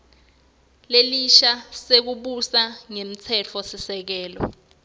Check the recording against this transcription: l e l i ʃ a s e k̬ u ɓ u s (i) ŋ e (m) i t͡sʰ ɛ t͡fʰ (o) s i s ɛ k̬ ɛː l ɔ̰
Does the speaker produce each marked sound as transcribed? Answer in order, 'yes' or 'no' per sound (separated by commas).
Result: no, yes, no